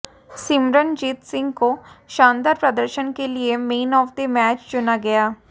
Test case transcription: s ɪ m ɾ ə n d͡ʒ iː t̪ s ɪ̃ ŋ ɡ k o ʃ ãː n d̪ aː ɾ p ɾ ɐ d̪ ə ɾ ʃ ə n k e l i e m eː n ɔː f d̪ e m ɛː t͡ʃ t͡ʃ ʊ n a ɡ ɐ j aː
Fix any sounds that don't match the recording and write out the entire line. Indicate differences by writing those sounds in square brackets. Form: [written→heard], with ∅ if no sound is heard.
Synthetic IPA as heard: s ɪ m ɾ ə n d͡ʒ iː t̪ s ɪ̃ ŋ ɡ k o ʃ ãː n d̪ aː ɾ p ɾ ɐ d̪ ə ɾ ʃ ə n k e l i e m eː n ɔː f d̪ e m ɛː t͡ʃ t͡ʃ ʊ n a ɡ ɐ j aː

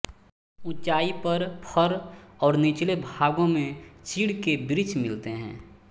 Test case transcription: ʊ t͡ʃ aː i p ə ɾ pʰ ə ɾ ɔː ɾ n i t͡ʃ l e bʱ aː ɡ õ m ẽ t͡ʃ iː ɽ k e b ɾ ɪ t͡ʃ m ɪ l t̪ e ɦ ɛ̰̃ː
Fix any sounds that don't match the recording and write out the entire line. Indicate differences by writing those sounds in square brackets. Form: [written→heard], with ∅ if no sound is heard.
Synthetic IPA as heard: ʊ t͡ʃ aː i p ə ɾ pʰ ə ɾ ɔː ɾ n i t͡ʃ l e bʱ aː ɡ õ m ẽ t͡ʃ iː ɽ k e b ɾ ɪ t͡ʃ m ɪ l t̪ e ɦ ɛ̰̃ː

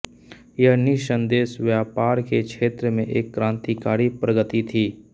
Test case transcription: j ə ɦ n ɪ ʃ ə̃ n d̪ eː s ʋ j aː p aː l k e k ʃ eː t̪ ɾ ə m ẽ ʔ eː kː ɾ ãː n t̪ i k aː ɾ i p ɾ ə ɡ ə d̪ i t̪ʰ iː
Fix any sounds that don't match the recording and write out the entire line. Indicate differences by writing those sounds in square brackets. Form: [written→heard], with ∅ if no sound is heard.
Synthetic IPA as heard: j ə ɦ n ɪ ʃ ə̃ n d̪ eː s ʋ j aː p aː [l→ɾ] k e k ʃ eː t̪ ɾ ə m ẽ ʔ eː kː ɾ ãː n t̪ i k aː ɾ i p ɾ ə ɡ ə [d̪→t̪] i t̪ʰ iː

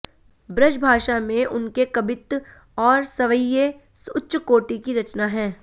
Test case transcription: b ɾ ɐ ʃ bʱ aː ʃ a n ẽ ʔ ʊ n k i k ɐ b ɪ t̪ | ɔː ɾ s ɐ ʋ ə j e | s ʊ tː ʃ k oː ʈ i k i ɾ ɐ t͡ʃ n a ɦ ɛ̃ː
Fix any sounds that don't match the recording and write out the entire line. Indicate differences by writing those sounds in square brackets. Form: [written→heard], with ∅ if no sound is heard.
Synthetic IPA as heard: b ɾ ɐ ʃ bʱ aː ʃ a [n→m] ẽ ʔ ʊ n k [i→e] k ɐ b ɪ t̪ | ɔː ɾ s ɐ ʋ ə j e | s ʊ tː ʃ k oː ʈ i k i ɾ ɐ t͡ʃ n a ɦ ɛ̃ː

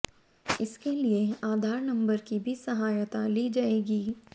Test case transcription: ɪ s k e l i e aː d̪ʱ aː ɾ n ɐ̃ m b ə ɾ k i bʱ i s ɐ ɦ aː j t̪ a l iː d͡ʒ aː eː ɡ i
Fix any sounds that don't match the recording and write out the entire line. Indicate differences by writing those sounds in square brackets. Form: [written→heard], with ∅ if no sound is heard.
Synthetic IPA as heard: ɪ s k e l i e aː d̪ʱ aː ɾ n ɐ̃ m b ə ɾ k i bʱ i s ɐ ɦ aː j t̪ a l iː d͡ʒ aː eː ɡ [i→iː]

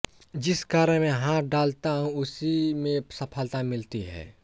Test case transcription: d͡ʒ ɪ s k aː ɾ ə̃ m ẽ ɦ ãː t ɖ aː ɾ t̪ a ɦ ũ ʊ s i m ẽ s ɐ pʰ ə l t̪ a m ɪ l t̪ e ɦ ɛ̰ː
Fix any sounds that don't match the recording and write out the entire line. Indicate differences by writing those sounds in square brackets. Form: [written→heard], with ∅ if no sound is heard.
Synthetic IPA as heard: d͡ʒ ɪ s k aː ɾ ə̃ m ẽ ɦ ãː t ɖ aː [ɾ→l] t̪ a ɦ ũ ʊ s i m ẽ s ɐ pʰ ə l t̪ a m ɪ l t̪ [e→i] ɦ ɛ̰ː

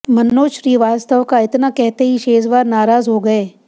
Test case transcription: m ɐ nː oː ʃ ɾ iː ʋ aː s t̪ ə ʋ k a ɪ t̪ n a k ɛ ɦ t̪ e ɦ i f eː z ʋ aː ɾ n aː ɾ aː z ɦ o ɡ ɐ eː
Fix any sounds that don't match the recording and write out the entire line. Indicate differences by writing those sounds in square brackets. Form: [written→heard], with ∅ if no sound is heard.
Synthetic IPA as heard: m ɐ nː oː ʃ ɾ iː ʋ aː s t̪ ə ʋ k a ɪ t̪ n a k ɛ ɦ t̪ e ɦ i [f→ʃ] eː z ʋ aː ɾ n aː ɾ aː z ɦ o ɡ ɐ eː

